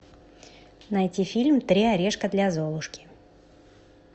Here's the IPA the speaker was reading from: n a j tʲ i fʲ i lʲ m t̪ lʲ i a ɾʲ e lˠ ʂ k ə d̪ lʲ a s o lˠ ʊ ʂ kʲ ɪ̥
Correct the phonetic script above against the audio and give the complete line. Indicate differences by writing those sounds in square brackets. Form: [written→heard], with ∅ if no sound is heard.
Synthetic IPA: n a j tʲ i fʲ i lʲ m t̪ [lʲ→ɾʲ] i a ɾʲ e [lˠ→∅] ʂ k ə d̪ lʲ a [s→z] o lˠ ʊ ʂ kʲ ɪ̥